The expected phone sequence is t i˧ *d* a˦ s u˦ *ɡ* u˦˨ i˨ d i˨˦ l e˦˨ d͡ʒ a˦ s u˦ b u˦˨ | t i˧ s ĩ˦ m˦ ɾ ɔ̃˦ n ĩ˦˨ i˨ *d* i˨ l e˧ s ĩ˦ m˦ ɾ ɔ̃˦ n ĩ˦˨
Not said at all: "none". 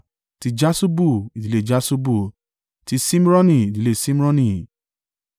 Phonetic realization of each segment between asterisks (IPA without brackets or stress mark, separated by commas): d͡ʒ, b, d